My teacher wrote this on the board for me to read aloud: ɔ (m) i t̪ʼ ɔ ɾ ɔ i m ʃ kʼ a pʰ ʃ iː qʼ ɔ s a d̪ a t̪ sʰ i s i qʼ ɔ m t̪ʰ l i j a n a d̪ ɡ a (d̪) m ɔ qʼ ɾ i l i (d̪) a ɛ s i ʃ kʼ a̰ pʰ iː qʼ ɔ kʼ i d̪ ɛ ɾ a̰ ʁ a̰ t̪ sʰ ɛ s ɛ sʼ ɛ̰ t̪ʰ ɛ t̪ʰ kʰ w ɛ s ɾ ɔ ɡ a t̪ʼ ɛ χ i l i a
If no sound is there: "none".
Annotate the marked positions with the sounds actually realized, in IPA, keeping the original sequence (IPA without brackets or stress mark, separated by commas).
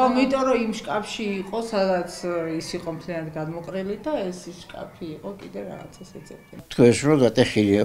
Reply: m, d̪, d̪